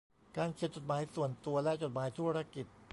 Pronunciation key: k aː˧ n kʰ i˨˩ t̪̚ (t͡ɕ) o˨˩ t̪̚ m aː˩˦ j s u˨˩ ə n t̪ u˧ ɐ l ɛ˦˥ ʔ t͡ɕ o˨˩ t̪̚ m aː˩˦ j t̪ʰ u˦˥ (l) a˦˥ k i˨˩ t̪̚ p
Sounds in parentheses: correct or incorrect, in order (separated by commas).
correct, incorrect